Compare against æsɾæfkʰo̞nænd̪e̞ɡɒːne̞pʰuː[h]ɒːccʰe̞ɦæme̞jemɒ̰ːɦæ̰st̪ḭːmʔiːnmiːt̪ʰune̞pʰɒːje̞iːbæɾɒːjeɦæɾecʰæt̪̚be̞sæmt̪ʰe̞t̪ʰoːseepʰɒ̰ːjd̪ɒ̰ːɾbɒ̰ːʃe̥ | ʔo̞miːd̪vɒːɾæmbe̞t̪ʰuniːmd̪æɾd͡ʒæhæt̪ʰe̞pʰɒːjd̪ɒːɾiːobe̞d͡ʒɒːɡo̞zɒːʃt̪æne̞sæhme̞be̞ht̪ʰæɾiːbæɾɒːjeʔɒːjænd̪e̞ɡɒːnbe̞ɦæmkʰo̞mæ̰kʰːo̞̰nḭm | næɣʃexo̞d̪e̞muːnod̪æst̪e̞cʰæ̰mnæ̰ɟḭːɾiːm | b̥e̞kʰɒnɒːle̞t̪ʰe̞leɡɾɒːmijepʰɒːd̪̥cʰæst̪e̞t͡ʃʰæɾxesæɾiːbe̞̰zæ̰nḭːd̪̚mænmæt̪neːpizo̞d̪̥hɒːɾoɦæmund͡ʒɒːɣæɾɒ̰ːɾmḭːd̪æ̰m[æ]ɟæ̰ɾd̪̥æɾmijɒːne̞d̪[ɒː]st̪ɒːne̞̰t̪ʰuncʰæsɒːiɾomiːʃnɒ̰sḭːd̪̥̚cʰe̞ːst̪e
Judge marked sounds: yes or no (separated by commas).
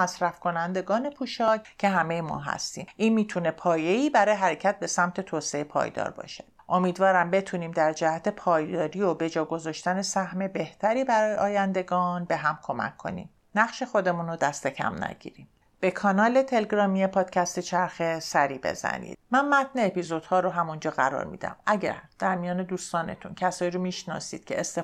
no, yes, no